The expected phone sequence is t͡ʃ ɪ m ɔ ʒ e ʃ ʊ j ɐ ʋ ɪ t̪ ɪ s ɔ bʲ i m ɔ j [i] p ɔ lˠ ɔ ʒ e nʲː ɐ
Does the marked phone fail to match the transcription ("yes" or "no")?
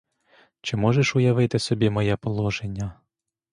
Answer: yes